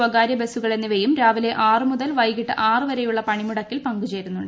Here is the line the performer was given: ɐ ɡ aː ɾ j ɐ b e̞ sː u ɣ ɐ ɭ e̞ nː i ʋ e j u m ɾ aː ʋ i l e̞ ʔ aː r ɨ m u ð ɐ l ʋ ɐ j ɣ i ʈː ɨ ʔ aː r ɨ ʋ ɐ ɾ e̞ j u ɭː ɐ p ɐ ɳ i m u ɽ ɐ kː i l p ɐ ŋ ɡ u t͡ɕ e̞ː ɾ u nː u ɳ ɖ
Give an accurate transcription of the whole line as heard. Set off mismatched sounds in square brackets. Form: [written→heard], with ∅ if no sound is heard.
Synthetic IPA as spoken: ɐ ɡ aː ɾ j ɐ b e̞ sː u ɣ ɐ ɭ e̞ nː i ʋ e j u m ɾ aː ʋ i l e̞ ʔ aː r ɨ m u ð ɐ l ʋ ɐ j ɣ i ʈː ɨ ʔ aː r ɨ ʋ ɐ ɾ e̞ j u ɭː ɐ p ɐ ɳ i m u ɽ ɐ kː i l p ɐ ŋ ɡ u t͡ɕ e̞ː ɾ u nː u ɳ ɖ